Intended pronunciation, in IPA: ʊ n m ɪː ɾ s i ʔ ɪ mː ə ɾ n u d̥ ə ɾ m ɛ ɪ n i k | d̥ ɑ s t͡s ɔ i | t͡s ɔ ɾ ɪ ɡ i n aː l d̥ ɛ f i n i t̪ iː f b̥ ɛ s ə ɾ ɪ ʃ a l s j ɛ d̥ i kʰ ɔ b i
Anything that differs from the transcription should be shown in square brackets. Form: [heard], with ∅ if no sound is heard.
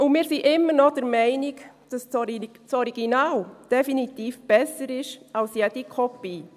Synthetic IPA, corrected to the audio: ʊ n m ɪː ɾ s i ʔ ɪ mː ə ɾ n [ɔ] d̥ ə ɾ m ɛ ɪ n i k | d̥ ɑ s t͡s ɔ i | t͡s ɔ ɾ [i] ɡ i n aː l d̥ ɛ f i n i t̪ iː f b̥ ɛ s ə ɾ ɪ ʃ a l s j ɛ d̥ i kʰ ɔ [p] i